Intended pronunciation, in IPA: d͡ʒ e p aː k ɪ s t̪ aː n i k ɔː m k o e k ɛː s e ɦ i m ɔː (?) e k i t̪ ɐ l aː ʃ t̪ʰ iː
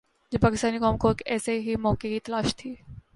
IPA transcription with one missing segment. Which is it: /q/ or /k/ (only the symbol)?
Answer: k